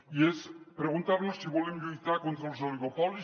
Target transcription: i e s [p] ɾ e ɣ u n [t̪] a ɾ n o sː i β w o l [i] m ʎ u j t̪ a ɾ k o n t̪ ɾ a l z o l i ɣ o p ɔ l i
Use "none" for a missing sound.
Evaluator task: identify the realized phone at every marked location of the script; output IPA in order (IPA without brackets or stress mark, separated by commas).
p, t̪, e